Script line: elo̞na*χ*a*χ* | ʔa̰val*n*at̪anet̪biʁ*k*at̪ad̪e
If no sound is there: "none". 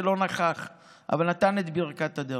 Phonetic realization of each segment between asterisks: χ, χ, n, k

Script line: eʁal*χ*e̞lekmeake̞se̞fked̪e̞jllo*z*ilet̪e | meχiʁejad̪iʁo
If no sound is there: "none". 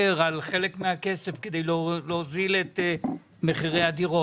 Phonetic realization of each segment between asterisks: χ, z

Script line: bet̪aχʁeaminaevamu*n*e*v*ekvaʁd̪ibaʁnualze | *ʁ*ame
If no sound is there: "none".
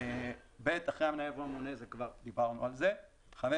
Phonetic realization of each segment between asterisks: n, z, χ

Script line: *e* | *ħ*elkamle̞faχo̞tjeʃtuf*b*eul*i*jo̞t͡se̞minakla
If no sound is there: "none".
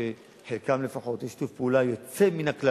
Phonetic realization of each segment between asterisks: e, ħ, p, a

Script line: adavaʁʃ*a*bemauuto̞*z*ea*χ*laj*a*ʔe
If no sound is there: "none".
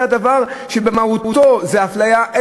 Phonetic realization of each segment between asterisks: e, z, f, a

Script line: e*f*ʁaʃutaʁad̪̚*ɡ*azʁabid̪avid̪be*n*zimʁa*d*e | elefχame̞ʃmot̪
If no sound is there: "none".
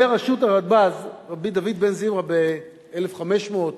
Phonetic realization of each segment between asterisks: none, b, n, b

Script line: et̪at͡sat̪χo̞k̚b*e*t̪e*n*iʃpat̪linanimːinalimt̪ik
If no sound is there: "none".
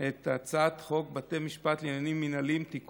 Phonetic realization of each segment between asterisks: a, m

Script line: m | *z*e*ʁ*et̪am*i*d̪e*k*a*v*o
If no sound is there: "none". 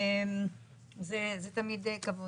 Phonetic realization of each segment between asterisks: z, z, i, k, v

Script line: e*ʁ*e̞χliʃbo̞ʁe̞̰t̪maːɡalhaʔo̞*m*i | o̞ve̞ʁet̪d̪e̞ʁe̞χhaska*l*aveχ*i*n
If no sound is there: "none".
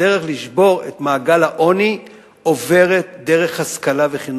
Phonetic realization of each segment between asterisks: ʁ, n, l, i

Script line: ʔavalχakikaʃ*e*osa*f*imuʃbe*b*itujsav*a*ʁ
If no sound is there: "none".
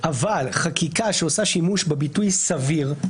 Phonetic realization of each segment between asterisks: e, ʃ, b, i

